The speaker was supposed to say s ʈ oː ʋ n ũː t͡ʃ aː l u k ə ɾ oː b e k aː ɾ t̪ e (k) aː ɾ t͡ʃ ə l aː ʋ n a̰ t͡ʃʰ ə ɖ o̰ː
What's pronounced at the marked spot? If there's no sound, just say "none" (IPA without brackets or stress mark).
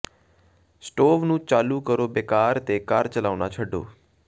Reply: k